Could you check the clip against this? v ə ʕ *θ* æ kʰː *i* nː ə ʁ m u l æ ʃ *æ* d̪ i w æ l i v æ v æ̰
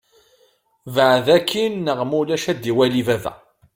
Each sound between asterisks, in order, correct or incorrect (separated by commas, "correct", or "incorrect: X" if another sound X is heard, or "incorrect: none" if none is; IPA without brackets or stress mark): incorrect: ð, correct, correct